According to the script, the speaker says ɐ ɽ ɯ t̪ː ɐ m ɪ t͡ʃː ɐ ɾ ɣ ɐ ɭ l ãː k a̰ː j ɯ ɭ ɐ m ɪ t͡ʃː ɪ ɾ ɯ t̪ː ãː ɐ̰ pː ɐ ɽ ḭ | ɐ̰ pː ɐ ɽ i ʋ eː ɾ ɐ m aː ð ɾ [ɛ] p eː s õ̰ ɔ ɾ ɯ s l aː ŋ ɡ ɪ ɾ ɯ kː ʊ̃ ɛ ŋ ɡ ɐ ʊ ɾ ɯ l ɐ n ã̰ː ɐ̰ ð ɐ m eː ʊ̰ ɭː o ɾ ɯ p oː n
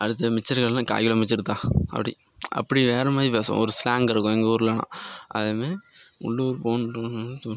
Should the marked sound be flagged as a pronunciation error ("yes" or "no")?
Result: yes